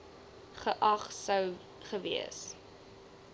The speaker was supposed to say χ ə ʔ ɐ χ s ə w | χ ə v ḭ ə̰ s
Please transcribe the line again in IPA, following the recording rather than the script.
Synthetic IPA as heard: χ ə ʔ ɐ χ s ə w | χ ə v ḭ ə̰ s